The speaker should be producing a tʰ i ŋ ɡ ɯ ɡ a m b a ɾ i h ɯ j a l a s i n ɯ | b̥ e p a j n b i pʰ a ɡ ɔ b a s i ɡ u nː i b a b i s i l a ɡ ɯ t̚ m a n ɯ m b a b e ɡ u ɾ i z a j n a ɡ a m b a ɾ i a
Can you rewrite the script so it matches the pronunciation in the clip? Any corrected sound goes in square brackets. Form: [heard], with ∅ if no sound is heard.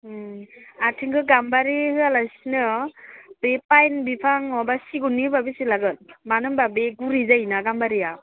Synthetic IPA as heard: a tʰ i ŋ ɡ ɯ ɡ a m b a ɾ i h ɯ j a l a s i n ɯ | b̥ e p a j n b i pʰ a [ŋ] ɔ b a s i ɡ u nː i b a b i s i l a ɡ ɯ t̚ m a n ɯ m b a b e ɡ u ɾ i z a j n a ɡ a m b a ɾ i a